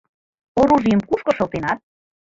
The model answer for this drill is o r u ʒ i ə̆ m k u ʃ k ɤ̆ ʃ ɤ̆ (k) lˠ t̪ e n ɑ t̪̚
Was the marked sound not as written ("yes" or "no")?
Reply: yes